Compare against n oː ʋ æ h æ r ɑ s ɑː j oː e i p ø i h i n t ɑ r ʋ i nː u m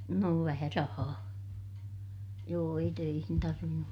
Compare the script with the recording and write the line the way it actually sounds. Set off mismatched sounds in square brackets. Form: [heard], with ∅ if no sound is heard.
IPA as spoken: n oː ʋ æ h æ r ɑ [h] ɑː j oː e i [t] ø i h i n t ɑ r ʋ i nː u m